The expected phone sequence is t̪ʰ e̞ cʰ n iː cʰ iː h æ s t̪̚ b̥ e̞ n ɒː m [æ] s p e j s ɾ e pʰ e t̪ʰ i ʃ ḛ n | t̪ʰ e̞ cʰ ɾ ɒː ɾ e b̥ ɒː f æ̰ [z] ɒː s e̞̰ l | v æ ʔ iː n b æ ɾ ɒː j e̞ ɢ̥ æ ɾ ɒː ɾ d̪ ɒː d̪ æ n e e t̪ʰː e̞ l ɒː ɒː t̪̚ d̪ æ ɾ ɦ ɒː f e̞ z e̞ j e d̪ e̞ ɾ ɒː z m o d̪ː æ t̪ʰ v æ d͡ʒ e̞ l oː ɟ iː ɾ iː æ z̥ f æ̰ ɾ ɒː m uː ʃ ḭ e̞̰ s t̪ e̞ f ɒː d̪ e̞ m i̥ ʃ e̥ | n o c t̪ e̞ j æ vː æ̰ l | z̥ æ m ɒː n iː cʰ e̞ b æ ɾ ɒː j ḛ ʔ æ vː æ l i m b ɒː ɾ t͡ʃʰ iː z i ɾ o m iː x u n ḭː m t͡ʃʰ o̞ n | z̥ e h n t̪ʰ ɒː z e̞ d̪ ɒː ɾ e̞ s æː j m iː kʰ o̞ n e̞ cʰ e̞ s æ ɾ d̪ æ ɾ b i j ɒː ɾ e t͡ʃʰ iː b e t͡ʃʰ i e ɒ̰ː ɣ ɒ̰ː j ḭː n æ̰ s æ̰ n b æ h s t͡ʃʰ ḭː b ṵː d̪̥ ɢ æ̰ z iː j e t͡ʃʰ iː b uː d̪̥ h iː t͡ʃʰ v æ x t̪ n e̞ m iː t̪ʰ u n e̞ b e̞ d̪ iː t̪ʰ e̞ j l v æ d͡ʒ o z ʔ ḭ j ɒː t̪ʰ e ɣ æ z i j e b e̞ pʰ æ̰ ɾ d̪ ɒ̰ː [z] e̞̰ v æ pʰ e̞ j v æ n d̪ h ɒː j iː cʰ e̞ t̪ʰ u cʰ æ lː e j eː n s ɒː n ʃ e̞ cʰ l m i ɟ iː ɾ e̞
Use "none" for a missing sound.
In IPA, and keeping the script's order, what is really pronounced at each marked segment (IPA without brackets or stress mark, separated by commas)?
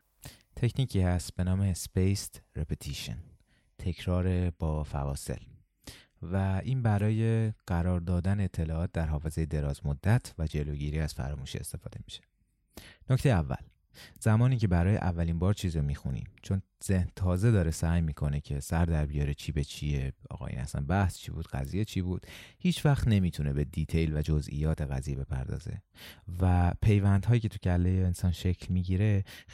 e, v, z